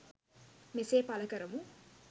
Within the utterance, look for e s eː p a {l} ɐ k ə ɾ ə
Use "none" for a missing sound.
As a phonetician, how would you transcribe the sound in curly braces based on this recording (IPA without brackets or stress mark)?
l